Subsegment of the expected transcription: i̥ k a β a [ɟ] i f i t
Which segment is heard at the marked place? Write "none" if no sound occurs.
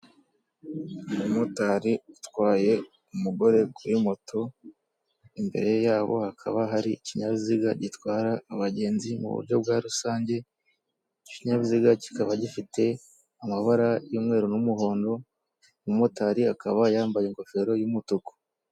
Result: ɟ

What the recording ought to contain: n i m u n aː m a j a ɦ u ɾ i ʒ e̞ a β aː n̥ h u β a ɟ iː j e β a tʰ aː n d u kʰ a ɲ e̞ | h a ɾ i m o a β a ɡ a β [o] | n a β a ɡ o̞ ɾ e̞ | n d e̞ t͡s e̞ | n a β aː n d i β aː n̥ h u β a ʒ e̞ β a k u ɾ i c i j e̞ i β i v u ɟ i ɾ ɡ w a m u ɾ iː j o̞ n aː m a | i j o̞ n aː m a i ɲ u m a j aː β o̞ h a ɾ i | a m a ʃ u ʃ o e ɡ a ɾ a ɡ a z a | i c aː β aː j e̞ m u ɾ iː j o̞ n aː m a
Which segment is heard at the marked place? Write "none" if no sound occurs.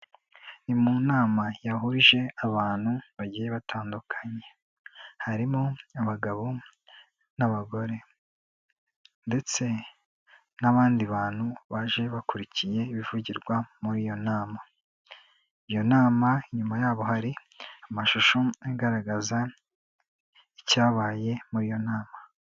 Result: o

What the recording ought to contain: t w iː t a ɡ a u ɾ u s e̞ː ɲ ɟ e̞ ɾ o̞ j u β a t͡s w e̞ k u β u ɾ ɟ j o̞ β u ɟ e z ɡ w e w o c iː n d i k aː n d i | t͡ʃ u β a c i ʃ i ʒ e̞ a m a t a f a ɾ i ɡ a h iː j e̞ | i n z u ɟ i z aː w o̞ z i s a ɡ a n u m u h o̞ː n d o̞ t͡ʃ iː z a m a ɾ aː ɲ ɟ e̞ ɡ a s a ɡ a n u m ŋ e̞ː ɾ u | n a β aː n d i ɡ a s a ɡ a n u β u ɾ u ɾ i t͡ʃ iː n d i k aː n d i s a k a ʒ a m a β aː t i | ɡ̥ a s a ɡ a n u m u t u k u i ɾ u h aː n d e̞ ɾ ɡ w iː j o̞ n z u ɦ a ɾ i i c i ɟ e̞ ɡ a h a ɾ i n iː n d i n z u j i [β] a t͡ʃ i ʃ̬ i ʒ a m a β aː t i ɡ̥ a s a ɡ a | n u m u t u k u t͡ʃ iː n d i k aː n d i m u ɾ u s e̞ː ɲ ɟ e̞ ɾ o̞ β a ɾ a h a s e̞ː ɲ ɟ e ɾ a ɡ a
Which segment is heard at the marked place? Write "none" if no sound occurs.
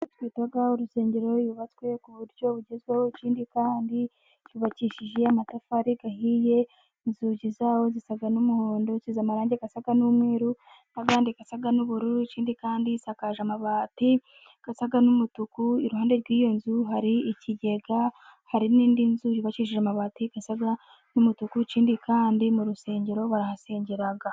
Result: β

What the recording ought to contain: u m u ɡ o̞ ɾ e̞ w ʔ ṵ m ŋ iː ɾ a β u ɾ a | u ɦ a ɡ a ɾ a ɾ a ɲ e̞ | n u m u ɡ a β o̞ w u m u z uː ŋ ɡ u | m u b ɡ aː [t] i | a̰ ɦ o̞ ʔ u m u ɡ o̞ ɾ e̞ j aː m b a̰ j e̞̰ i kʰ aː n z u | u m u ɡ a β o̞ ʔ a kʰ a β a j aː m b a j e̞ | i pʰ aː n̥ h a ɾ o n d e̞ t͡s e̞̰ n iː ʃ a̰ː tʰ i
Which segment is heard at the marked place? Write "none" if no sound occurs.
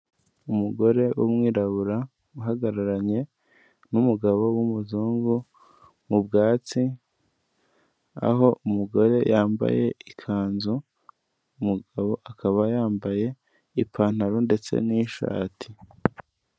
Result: t͡s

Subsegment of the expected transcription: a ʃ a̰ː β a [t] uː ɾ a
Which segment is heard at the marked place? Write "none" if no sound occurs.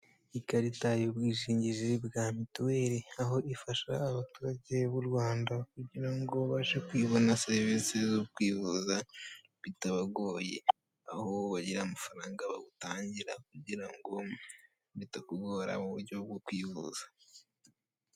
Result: t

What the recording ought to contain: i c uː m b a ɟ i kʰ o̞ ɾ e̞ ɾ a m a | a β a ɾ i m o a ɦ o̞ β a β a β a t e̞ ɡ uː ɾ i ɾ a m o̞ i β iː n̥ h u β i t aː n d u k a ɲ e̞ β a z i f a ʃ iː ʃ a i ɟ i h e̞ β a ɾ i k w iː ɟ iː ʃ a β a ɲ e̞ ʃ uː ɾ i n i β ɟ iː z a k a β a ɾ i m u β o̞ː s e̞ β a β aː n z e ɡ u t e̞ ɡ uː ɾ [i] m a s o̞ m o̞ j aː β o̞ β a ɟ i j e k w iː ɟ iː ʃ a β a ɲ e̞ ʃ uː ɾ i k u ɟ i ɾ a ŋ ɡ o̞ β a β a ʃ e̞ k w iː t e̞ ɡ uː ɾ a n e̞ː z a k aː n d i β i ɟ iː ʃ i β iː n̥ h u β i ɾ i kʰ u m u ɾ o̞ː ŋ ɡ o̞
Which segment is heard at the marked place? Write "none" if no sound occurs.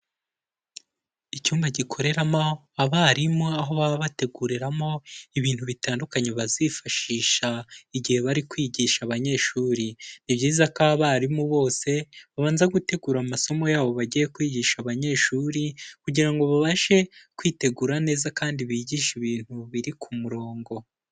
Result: a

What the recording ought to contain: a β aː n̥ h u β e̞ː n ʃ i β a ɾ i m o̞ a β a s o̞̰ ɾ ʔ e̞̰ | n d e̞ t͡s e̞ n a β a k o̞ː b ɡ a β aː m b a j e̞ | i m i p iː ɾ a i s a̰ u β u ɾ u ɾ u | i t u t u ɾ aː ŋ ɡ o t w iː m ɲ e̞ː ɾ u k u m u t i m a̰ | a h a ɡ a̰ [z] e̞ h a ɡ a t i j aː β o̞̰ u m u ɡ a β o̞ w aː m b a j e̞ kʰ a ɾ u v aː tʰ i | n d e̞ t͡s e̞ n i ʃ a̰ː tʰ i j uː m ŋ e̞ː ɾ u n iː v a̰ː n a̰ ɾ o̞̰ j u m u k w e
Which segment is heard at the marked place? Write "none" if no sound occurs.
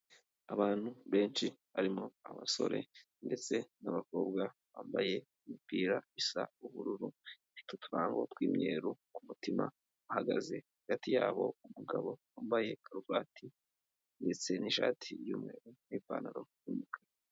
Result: z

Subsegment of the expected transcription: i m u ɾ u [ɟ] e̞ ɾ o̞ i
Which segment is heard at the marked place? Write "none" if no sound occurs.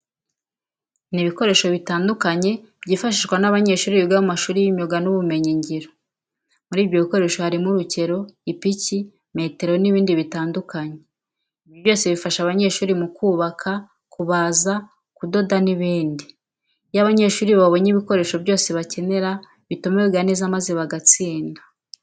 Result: c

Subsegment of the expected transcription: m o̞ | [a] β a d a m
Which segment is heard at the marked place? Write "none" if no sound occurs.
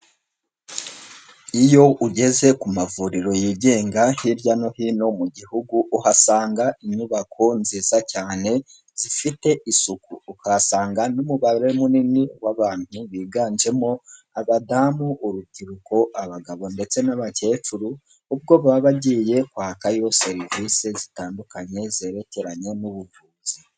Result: a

